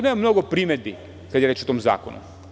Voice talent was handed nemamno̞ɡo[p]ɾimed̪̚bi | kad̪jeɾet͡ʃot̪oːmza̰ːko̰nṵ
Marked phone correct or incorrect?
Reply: correct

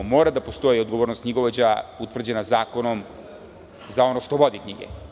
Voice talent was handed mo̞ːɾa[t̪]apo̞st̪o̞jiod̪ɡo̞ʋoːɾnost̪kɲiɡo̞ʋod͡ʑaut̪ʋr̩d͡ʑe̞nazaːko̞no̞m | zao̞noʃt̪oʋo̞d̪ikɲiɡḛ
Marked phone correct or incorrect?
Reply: incorrect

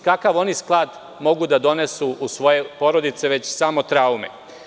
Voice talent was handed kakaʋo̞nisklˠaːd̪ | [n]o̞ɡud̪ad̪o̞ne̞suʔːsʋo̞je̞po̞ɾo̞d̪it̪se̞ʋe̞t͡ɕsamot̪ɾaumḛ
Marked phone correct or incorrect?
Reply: incorrect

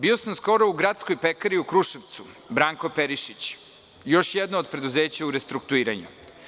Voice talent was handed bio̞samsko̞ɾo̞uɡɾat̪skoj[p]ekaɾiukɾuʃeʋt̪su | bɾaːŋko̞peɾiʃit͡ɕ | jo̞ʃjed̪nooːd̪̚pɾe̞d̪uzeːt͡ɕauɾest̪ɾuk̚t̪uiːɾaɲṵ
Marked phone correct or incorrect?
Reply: correct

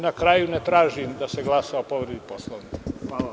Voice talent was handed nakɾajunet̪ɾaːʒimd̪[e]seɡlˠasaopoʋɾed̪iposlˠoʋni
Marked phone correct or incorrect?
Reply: incorrect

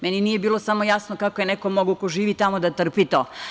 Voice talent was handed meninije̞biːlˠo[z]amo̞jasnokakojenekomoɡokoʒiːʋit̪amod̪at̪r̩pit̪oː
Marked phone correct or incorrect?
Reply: incorrect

